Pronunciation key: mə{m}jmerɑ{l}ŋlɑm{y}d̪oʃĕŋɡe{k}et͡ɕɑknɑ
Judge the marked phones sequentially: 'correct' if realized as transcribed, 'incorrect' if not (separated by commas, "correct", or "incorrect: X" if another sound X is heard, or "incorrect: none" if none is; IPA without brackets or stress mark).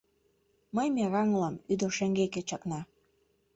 incorrect: none, incorrect: none, correct, correct